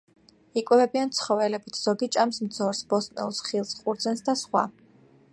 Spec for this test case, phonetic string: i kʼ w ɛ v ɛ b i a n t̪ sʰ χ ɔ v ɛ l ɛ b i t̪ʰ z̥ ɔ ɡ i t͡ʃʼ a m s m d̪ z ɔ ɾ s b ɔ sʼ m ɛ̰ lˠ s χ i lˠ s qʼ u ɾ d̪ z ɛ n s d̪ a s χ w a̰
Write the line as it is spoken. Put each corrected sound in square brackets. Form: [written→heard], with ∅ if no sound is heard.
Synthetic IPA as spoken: i kʼ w ɛ v ɛ b i a n t̪ sʰ χ ɔ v ɛ l ɛ b i t̪ʰ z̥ ɔ ɡ i t͡ʃʼ a m s m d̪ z ɔ ɾ s b ɔ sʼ [m→n] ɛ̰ lˠ s χ i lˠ s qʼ u ɾ d̪ z ɛ n s d̪ a s χ w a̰